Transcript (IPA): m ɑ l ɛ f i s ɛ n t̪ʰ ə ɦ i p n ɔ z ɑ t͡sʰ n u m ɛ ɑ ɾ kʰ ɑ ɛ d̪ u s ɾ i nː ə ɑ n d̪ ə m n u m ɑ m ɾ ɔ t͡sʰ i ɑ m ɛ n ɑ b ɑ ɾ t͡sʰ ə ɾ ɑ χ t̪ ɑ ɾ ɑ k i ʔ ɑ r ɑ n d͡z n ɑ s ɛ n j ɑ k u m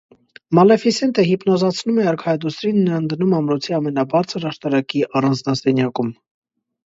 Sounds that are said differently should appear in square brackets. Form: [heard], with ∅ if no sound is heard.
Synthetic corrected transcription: m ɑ l ɛ f i s ɛ n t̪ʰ ə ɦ i p n ɔ z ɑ t͡sʰ n u m ɛ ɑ ɾ kʰ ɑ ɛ d̪ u s ɾ i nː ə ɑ n d̪ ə [∅] n u m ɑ m ɾ ɔ t͡sʰ i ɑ m ɛ n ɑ b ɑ ɾ t͡sʰ ə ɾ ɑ [ʃ] t̪ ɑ ɾ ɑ k i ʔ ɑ r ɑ n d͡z n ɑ s ɛ n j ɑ k u m